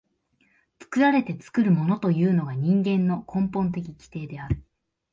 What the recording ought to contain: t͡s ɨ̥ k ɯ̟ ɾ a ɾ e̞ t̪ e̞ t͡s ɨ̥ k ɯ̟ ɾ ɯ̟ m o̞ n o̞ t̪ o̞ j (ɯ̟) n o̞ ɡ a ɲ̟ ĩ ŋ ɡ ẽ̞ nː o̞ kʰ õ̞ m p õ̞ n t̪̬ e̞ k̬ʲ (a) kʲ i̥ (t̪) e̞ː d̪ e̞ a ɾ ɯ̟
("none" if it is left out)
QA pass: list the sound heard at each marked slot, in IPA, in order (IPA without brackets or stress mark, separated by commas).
ɯ̟ː, i, t̪